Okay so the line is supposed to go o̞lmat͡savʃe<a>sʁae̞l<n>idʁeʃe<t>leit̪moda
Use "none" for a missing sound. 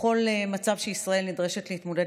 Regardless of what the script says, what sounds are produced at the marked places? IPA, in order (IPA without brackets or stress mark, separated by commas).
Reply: i, n, t